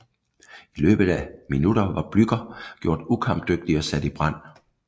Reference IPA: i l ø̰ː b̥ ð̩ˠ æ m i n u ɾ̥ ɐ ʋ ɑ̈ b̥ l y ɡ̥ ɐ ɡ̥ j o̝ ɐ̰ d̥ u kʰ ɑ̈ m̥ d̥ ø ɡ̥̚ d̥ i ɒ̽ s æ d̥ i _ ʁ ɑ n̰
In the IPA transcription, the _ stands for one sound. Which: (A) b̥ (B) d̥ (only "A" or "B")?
A